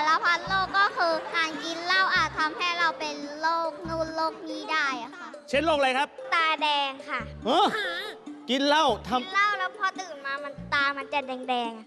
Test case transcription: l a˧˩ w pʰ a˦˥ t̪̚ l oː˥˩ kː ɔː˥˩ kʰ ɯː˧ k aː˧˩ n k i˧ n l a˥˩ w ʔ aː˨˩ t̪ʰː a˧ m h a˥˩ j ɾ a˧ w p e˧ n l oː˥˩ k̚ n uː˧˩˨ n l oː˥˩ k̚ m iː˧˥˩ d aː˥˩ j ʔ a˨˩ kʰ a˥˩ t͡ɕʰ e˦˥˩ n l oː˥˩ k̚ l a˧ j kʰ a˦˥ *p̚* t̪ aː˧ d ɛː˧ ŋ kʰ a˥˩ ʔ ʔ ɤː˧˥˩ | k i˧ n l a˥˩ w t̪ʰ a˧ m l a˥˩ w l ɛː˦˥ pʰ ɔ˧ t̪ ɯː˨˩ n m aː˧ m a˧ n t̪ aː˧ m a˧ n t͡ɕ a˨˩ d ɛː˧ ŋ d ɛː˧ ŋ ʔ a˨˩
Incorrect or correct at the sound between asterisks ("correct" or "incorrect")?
correct